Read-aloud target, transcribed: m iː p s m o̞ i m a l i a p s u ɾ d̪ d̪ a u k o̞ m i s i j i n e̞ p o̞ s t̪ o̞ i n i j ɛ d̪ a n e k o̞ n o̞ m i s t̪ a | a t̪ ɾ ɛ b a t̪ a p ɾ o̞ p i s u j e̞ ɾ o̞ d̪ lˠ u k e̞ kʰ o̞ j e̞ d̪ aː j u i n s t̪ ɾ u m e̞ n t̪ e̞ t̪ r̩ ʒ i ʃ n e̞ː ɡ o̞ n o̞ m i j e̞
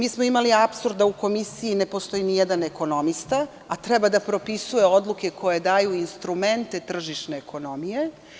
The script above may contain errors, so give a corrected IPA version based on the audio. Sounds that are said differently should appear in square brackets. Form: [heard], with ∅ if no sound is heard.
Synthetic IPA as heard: m iː [∅] s m o̞ i m a l i a p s u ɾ d̪ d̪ a u k o̞ m i s i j i n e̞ p o̞ s t̪ o̞ i n i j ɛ d̪ a n e k o̞ n o̞ m i s t̪ a | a t̪ ɾ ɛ b a [d̪] a p ɾ o̞ p i s u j e̞ [∅] o̞ d̪ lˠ u k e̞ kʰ o̞ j e̞ d̪ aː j u i n s t̪ ɾ u m e̞ n t̪ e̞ t̪ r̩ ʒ i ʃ n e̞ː [k] o̞ n o̞ m i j e̞